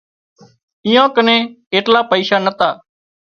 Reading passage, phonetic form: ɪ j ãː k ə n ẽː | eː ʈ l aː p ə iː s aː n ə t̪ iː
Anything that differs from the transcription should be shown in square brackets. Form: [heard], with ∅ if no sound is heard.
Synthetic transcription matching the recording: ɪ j ãː k ə n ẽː | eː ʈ l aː p ə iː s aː n ə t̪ [aː]